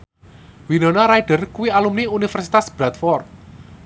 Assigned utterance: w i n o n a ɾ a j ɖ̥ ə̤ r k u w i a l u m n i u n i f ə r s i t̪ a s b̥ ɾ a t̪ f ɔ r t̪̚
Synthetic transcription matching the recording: w i n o n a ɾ a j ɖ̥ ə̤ r k u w i a l u m n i u n i f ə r s i t̪ a s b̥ ɾ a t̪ f ɔ r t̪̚